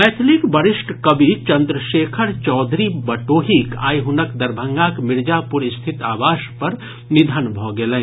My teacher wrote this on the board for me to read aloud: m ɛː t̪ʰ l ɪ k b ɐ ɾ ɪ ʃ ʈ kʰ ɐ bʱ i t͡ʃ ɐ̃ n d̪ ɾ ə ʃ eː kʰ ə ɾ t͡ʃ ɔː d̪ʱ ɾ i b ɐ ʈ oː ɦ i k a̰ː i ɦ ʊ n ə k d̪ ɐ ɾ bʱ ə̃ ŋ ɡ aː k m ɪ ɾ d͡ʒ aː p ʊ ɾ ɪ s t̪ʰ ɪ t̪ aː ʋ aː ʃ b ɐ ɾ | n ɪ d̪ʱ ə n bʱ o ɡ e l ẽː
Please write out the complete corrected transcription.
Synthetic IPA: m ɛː t̪ʰ l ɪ k b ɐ ɾ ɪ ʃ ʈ k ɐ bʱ i t͡ʃ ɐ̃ n d̪ ɾ ə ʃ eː kʰ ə ɾ t͡ʃ ɔː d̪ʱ ɾ i b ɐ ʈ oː ɦ i k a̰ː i ɦ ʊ n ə k d̪ ɐ ɾ bʱ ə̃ ŋ ɡ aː k m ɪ ɾ d͡ʒ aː p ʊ ɾ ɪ s t̪ʰ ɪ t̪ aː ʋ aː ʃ p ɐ ɾ | n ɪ d̪ʱ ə n bʱ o ɡ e l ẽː

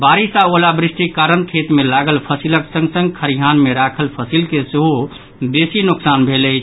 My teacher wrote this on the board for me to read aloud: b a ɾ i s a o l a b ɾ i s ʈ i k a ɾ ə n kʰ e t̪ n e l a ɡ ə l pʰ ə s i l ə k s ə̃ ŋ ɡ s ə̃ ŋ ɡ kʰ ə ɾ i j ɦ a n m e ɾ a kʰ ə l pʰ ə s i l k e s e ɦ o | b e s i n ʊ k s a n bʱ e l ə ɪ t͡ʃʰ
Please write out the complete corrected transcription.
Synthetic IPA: b a ɾ i s a o l a b ɾ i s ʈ i k a ɾ ə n kʰ e t̪ m e l a ɡ ə l pʰ ə s i l ə k s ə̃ ŋ ɡ s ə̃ ŋ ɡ kʰ ə ɾ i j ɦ a n m e ɾ a kʰ ə l pʰ ə s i l k e s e ɦ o | b e s i n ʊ k s a n bʱ e l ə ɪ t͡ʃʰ

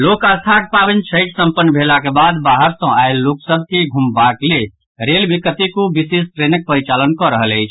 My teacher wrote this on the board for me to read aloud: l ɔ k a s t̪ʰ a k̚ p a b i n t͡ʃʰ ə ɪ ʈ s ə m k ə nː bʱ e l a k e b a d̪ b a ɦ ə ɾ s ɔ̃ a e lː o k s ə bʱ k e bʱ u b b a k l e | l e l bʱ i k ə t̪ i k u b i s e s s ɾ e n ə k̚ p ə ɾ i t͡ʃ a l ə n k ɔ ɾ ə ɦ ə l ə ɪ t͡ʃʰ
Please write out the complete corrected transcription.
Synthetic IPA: l o k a s t̪ʰ a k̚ p a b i n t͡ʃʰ ə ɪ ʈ s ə m p ə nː bʱ e l a k e b a d̪ b a ɦ ə ɾ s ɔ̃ a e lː o k s ə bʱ k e ɡʱ u m b a k l e | ɾ e l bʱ i k ə t̪ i k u b i s e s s ɾ e n ə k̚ p ə ɾ i t͡ʃ a l ə n k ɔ ɾ ə ɦ ə l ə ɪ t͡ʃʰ

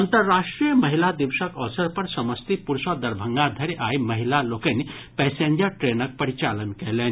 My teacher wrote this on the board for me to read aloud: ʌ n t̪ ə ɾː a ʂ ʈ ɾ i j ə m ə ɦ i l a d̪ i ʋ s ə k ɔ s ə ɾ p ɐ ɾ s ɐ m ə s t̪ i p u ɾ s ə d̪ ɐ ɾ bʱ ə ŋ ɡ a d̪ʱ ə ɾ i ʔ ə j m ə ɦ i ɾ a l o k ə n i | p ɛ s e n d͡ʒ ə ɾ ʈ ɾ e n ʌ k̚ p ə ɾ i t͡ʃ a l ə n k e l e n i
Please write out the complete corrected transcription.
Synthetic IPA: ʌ n t̪ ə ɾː a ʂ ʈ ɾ i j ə m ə ɦ i l a d̪ i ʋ s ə k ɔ s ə ɾ p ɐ ɾ s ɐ m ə s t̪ i p u ɾ s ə d̪ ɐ ɾ bʱ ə ŋ ɡ a d̪ʱ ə ɾ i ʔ a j m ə ɦ i l a l o k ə n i | p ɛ s e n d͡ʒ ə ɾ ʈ ɾ e n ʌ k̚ p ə ɾ i t͡ʃ a l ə n k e l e n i

